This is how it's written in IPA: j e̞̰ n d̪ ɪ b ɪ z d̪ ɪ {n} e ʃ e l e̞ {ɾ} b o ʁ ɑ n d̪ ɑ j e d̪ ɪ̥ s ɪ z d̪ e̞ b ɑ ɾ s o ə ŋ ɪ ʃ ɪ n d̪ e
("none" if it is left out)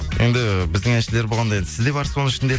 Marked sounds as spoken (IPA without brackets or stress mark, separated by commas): ŋ, ɾ